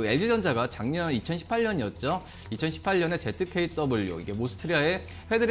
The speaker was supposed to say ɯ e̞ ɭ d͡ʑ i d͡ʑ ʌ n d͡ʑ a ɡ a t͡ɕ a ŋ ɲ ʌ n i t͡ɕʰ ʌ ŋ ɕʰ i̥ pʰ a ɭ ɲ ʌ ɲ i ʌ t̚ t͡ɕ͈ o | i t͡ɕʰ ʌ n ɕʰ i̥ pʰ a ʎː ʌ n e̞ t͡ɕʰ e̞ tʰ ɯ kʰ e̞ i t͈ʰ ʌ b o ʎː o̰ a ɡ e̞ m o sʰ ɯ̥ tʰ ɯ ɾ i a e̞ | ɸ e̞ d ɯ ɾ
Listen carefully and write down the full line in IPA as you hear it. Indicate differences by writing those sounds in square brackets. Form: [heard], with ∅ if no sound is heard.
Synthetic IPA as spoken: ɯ e̞ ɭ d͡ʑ i d͡ʑ ʌ n d͡ʑ a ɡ a t͡ɕ a ŋ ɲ ʌ n i t͡ɕʰ ʌ [n] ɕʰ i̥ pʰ a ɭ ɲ ʌ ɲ i ʌ t̚ t͡ɕ͈ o | i t͡ɕʰ ʌ n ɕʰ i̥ pʰ a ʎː ʌ n e̞ [t͡ɕ] e̞ tʰ ɯ kʰ e̞ i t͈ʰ ʌ b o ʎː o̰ [i] ɡ e̞ m o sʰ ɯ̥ tʰ ɯ ɾ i a e̞ | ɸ e̞ d ɯ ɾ